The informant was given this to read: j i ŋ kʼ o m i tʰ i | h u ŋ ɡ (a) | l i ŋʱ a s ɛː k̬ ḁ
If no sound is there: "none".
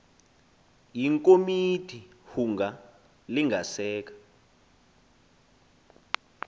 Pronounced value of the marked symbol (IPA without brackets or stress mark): a